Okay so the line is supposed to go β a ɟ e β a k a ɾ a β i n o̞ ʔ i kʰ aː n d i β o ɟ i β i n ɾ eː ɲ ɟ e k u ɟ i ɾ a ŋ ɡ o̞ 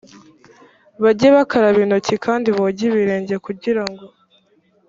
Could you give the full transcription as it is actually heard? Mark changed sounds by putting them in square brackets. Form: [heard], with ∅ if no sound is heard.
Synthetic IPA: β a ɟ e β a k a ɾ a β i n o̞ [c] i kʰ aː n d i β o ɟ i β i [∅] ɾ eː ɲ ɟ e k u ɟ i ɾ a ŋ ɡ o̞

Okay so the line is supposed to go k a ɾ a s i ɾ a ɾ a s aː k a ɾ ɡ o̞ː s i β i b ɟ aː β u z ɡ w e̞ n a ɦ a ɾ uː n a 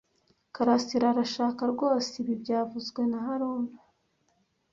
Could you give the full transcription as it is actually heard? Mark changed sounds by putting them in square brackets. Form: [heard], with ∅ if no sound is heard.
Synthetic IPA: k a ɾ a s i ɾ a ɾ a [ʃ] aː k a ɾ ɡ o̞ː s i β i b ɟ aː [v] u z ɡ w e̞ n a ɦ a ɾ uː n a

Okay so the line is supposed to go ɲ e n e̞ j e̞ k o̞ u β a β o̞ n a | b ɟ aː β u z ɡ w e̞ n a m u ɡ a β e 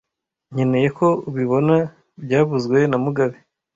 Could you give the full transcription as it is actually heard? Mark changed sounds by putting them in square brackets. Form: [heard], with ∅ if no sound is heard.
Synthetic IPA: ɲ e n e̞ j e̞ k o̞ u β [i] β o̞ n a | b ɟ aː β u z ɡ w e̞ n a m u ɡ a β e

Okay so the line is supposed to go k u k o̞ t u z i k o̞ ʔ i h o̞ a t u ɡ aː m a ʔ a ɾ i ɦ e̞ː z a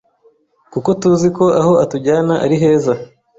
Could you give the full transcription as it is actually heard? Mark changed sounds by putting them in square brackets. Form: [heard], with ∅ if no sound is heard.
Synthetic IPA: k u k o̞ t u z i k o̞ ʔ [a] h o̞ a t u [ɟ] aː [n] a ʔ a ɾ i ɦ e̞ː z a

